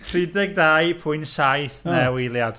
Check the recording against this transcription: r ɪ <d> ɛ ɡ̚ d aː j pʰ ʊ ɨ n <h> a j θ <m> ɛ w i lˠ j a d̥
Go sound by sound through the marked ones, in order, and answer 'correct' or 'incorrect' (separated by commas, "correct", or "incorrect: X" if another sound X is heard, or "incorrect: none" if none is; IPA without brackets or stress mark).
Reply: correct, incorrect: s, incorrect: n